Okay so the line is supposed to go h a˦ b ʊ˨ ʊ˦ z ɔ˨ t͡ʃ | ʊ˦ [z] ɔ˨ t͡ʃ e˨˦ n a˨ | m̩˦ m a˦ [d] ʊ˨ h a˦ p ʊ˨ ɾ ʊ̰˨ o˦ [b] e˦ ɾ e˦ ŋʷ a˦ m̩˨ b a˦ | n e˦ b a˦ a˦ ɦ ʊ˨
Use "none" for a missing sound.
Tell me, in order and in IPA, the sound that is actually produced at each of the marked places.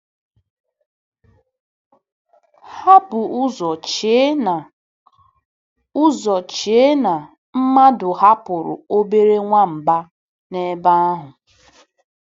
z, d, b

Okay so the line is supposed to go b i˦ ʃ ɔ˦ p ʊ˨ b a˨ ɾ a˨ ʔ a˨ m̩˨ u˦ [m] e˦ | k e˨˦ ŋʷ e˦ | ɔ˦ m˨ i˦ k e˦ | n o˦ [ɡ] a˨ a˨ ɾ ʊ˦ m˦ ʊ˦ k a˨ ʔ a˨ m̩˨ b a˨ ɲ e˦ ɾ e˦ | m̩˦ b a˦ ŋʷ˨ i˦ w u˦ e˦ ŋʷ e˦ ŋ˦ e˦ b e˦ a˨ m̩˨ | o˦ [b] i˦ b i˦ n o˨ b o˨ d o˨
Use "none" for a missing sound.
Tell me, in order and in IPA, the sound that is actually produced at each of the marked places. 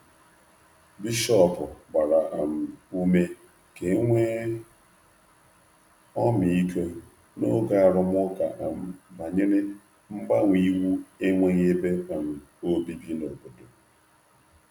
m, ɡ, b

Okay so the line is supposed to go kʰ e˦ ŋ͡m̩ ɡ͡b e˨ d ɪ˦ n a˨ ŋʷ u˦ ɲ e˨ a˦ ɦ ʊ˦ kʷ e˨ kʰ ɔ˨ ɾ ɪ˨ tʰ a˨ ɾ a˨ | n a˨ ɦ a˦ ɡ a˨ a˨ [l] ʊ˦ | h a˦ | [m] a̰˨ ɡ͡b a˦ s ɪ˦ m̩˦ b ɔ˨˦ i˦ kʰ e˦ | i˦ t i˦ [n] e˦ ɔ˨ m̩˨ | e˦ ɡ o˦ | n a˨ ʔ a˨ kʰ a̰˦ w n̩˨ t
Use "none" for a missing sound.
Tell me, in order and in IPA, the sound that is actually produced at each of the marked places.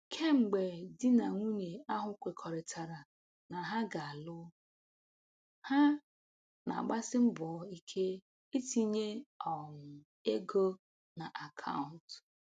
l, n, ɲ

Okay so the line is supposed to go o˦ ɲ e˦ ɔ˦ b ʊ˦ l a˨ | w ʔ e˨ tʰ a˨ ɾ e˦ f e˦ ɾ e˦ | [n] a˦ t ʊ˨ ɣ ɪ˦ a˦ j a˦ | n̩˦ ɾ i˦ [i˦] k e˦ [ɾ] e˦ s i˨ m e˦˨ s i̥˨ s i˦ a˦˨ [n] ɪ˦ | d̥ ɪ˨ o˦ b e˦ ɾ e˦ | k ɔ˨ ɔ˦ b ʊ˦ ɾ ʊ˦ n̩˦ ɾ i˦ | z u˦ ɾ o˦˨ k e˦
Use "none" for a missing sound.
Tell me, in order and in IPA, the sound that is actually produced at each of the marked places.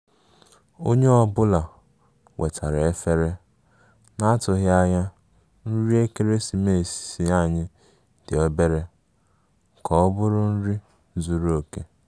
n, e˦, ɾ, ɲ

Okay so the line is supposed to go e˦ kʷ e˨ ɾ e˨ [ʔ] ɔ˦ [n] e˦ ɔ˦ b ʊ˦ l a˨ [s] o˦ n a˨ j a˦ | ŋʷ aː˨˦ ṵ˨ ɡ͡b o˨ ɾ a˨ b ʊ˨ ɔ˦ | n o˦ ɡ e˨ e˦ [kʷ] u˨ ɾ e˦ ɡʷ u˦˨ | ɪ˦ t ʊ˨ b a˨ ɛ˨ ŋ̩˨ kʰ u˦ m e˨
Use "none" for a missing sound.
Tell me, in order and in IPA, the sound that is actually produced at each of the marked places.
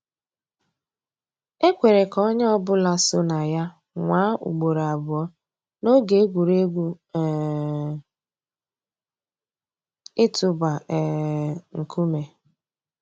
k, ɲ, s, ɡʷ

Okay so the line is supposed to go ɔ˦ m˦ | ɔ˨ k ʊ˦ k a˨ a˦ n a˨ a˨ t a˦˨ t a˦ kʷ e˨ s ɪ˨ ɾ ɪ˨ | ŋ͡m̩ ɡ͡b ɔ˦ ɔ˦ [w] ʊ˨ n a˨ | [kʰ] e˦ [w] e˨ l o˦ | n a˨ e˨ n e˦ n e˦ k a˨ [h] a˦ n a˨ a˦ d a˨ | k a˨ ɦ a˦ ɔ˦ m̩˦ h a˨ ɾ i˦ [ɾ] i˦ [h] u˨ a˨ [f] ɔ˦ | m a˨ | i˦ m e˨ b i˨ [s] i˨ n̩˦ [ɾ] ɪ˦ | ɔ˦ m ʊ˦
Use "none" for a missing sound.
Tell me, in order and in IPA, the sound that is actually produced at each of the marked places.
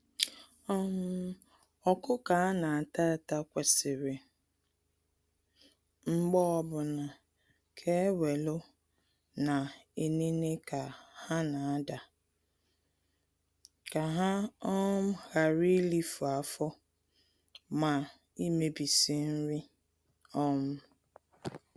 b, kʰ, w, h, l, f, f, s, ɾ

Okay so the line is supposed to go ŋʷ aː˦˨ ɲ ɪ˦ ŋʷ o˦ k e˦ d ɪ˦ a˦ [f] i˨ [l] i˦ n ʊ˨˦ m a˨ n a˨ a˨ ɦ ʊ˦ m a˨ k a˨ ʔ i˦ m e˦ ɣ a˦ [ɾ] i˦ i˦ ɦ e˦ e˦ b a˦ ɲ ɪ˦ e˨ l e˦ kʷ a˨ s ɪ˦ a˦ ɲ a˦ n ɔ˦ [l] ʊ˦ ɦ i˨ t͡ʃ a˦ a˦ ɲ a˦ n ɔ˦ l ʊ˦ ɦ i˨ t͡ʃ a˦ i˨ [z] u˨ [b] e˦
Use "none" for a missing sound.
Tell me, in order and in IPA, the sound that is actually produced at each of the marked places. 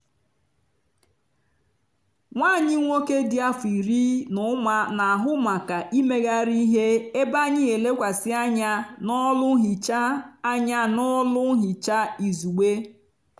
f, ɾ, ɾ, l, z, ɡ͡b

